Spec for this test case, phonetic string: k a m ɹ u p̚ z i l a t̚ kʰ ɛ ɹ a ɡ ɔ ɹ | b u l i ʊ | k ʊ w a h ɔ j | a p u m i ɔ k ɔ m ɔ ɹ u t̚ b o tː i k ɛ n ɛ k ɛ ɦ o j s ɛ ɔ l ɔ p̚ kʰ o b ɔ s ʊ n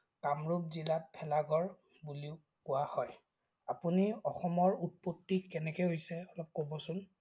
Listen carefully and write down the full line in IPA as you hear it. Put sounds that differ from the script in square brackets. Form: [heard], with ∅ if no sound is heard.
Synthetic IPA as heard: k a m ɹ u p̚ z i l a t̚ [pʰ] ɛ [l] a ɡ ɔ ɹ | b u l i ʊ | k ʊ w a h ɔ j | a p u [n] i ɔ [x] ɔ m ɔ ɹ u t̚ [p] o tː i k ɛ n ɛ k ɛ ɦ o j s ɛ ɔ l ɔ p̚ [k] o b ɔ s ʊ n